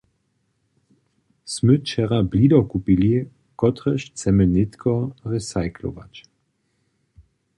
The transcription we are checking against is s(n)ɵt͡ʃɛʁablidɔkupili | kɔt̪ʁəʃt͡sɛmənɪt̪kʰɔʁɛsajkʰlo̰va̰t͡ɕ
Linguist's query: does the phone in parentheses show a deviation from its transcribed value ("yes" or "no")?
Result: yes